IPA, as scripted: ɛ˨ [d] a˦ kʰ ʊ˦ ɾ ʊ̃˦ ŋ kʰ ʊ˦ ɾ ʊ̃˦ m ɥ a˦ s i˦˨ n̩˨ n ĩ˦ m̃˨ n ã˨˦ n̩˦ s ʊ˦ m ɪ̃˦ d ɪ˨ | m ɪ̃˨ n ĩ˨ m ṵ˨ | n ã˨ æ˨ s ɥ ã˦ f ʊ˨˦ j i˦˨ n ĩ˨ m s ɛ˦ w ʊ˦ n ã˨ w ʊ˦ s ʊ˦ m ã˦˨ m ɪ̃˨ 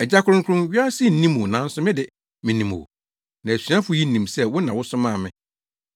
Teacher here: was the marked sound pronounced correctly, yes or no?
no